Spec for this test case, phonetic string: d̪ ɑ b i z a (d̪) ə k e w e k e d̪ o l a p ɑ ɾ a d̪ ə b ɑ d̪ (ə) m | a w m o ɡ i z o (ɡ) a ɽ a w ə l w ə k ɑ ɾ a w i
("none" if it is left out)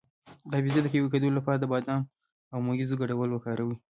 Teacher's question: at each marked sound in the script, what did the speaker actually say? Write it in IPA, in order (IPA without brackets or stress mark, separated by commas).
d̪, ɑ, ɡ